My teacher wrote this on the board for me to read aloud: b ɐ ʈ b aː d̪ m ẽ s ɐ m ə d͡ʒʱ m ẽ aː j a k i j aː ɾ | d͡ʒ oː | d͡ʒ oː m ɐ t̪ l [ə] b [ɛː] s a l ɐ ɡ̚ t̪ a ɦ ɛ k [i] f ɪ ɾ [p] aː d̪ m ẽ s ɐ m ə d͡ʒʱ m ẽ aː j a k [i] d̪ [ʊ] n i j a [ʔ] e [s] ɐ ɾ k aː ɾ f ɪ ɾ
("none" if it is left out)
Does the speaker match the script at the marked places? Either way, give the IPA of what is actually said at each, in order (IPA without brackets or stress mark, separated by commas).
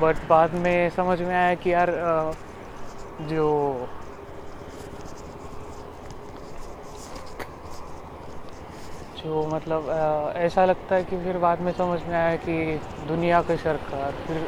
ə, ɛː, i, b, i, ʊ, k, ʃ